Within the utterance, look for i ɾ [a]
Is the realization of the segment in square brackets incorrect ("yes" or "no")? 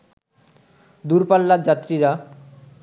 no